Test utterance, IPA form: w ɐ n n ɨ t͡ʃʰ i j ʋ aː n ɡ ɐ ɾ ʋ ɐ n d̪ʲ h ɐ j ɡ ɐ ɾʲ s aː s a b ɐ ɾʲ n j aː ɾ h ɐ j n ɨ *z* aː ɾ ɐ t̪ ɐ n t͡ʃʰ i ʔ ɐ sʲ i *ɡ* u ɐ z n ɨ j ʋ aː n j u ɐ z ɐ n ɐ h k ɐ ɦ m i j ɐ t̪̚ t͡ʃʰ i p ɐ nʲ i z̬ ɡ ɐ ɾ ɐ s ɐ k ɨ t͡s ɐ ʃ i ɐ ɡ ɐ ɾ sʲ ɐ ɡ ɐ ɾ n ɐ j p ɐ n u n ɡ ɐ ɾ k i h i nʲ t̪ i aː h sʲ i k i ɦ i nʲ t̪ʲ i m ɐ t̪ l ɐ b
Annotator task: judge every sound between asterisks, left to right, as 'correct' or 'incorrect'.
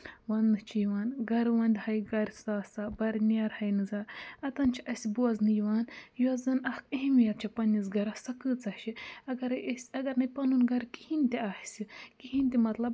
correct, incorrect

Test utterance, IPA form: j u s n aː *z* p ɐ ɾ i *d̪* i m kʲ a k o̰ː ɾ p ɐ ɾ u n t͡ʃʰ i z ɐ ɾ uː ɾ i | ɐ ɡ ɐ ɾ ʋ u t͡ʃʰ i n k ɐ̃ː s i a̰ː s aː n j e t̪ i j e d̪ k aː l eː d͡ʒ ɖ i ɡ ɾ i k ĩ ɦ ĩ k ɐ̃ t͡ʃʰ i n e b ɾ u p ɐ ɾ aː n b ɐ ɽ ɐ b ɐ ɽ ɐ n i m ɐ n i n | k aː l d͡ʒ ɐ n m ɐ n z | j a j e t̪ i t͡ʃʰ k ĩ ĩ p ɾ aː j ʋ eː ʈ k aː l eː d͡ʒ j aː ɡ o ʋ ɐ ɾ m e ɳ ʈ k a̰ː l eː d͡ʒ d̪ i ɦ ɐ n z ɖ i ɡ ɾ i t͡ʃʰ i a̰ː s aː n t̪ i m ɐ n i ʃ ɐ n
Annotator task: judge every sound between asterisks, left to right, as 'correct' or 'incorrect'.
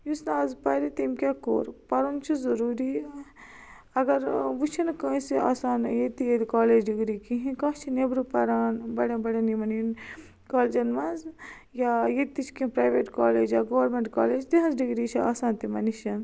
correct, incorrect

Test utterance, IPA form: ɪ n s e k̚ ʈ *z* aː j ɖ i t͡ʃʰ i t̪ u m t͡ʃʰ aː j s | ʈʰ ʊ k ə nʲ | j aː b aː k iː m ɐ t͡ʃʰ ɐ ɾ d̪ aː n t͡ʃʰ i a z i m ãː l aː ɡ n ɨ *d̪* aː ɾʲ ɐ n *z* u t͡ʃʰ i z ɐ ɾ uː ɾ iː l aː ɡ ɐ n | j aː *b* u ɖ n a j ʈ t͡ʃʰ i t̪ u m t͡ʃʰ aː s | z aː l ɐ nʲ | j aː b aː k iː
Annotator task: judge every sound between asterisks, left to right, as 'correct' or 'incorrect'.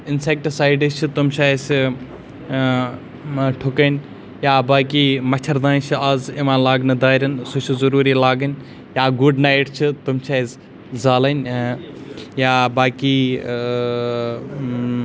incorrect, correct, incorrect, incorrect

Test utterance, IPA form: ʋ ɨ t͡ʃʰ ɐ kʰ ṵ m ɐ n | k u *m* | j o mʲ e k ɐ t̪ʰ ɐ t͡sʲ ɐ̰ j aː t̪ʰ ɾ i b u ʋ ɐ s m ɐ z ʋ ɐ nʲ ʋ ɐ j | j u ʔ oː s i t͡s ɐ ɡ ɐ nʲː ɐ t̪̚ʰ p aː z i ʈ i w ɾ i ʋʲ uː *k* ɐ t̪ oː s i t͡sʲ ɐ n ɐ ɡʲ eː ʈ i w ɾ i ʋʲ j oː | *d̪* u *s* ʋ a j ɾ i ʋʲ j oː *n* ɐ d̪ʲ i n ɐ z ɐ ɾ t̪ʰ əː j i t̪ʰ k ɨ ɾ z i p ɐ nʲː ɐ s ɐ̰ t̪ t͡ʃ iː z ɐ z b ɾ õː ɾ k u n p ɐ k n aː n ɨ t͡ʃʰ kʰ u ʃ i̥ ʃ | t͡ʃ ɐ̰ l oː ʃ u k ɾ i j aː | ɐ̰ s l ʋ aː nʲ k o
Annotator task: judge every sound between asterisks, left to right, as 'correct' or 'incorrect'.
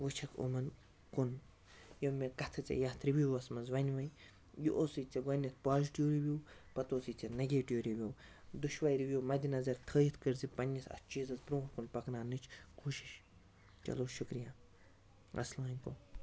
incorrect, incorrect, correct, incorrect, incorrect

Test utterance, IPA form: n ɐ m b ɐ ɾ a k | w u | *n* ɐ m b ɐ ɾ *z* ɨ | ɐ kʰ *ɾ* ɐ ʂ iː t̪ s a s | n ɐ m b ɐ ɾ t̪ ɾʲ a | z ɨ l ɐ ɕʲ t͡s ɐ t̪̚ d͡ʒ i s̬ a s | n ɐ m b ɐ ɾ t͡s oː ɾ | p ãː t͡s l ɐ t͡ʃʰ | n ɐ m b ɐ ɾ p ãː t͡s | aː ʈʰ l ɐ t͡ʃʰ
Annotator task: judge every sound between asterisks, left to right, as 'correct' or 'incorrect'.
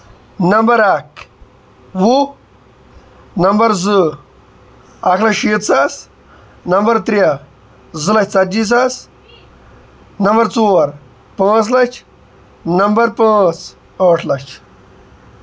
correct, correct, incorrect

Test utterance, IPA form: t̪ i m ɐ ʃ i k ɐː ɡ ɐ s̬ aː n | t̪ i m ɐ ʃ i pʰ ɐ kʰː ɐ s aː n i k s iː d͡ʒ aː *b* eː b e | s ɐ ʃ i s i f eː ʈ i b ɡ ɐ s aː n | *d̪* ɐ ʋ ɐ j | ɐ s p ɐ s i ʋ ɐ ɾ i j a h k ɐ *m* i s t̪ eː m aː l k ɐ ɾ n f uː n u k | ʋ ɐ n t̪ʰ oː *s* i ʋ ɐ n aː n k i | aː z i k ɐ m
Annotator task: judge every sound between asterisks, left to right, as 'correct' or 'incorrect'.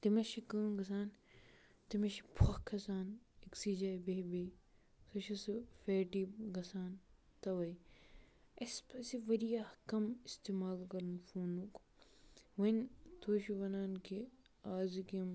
correct, incorrect, correct, incorrect

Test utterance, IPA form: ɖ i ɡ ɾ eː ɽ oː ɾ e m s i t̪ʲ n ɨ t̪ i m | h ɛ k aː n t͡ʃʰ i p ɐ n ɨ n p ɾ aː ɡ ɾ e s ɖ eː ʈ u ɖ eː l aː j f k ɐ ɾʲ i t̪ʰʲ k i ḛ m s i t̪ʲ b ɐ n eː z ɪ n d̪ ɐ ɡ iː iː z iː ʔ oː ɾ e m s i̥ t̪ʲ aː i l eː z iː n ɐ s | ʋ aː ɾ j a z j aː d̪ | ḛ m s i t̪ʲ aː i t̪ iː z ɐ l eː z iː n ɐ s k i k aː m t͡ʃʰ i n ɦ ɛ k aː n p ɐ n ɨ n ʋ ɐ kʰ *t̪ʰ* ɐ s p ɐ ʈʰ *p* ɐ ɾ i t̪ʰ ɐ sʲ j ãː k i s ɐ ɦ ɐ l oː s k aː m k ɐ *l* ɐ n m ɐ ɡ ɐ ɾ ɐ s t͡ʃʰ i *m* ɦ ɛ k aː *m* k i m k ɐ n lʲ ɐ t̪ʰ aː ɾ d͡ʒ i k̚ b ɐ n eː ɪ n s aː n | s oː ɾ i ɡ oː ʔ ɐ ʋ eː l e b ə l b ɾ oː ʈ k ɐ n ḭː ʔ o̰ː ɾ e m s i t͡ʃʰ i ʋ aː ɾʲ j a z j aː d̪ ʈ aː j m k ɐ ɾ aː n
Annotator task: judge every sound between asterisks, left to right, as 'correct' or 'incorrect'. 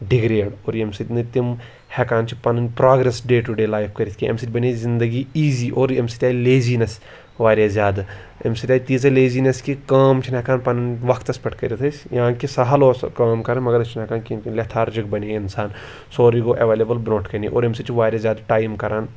incorrect, incorrect, incorrect, incorrect, incorrect

